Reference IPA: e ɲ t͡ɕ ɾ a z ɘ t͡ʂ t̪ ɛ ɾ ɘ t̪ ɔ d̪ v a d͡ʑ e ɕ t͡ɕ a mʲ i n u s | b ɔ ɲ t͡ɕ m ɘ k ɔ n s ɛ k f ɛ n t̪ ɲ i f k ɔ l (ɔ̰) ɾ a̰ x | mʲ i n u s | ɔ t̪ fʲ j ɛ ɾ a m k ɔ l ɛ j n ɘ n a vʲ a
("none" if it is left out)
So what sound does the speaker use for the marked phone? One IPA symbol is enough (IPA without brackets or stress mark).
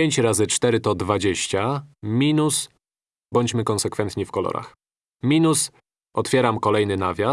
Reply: ɔ̰